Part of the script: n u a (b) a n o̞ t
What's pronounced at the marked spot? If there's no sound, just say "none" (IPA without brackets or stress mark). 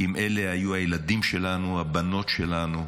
b